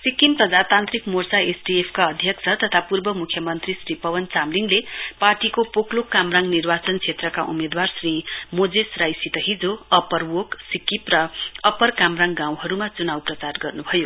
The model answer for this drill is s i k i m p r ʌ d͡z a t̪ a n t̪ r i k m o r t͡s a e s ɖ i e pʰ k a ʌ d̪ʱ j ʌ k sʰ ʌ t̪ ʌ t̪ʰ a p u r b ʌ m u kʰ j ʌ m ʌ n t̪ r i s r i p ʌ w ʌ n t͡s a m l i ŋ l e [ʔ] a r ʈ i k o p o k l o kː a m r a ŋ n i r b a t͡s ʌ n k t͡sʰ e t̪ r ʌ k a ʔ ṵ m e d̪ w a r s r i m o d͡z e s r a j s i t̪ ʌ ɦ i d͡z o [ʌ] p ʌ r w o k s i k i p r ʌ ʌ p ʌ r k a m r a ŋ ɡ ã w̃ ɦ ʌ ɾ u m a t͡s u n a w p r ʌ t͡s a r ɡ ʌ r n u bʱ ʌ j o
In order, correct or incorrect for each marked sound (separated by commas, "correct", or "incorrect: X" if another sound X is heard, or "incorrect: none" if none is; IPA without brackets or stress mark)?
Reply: incorrect: p, correct